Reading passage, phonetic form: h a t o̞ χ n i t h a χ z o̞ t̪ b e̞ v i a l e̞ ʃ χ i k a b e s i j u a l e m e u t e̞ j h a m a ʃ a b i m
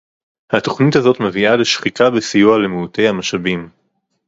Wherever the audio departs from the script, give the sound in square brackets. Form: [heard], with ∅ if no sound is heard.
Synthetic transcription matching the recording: h a t o̞ χ n i t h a [∅] z o̞ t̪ [m] e̞ v i a l e̞ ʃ χ i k a b e s i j u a l e m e u t e̞ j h a m a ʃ a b i m